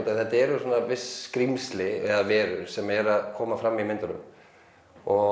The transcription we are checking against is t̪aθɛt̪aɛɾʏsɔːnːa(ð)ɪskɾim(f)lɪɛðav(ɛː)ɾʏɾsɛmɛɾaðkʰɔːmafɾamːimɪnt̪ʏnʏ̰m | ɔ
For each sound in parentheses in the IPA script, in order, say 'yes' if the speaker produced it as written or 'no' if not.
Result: no, no, yes

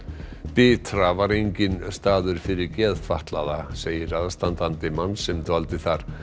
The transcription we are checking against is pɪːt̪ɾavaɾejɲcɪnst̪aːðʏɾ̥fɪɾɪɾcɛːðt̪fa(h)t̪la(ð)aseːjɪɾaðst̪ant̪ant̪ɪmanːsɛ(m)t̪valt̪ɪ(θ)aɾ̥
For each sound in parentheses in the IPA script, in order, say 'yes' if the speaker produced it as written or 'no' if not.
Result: yes, yes, yes, yes

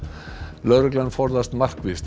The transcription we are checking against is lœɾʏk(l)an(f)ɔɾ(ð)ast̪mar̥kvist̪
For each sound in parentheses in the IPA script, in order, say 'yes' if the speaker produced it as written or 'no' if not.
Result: yes, yes, yes

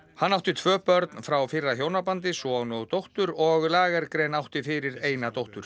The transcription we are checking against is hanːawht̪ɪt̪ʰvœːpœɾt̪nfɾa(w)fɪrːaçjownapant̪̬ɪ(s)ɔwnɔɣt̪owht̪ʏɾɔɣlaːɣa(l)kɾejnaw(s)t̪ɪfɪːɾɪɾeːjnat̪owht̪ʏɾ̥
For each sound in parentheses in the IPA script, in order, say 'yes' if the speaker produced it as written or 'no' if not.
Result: yes, yes, no, no

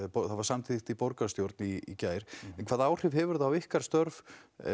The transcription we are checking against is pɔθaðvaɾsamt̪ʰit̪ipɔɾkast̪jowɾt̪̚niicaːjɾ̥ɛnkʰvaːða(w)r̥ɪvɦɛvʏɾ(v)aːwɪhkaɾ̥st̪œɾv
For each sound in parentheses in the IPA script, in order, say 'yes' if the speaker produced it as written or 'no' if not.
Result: yes, no

